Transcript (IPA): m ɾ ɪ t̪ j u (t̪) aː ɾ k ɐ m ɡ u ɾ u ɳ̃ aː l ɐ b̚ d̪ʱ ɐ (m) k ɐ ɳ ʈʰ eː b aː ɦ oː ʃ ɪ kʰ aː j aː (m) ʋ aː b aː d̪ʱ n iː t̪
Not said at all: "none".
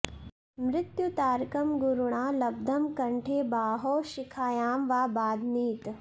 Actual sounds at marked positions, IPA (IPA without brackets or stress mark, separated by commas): t̪, m, m